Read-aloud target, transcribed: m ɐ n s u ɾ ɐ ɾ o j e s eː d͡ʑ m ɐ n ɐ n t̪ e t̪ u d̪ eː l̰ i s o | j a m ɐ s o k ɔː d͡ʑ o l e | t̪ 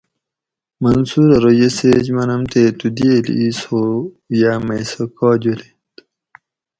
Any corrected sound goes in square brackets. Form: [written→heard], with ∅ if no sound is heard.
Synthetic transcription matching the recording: m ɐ n s u ɾ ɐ ɾ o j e s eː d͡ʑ m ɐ n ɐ [n→m] t̪ e t̪ u d̪ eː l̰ i s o | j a m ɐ s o k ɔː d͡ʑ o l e | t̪